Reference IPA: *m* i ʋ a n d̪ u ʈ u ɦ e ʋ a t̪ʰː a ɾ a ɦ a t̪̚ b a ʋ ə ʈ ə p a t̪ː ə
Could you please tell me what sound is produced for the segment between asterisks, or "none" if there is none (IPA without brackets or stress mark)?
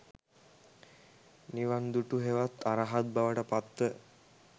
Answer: n